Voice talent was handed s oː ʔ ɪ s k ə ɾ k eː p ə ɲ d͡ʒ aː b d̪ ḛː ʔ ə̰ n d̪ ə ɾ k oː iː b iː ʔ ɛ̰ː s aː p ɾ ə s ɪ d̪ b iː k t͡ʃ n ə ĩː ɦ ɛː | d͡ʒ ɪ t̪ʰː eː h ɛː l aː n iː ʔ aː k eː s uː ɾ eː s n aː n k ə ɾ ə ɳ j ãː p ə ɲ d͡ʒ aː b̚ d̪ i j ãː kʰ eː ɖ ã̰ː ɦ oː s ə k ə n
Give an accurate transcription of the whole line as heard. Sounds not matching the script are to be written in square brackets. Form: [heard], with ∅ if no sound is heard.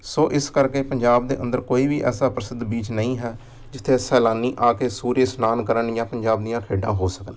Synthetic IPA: s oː ʔ ɪ s k ə ɾ k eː p ə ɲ d͡ʒ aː b d̪ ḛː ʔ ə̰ n d̪ ə ɾ k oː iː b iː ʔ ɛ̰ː s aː p ɾ ə s ɪ d̪ b iː [∅] t͡ʃ n ə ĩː ɦ ɛː | d͡ʒ ɪ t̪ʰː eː [s] ɛː l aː n iː ʔ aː k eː s uː ɾ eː s n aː n k ə ɾ ə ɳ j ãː p ə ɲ d͡ʒ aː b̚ d̪ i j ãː kʰ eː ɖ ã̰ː ɦ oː s ə k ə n